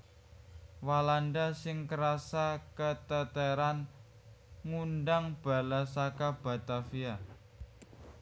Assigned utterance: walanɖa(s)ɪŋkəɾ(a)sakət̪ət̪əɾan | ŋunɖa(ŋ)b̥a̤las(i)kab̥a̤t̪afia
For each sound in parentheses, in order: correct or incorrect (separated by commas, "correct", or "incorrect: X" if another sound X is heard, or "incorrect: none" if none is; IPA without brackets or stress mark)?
correct, correct, correct, incorrect: a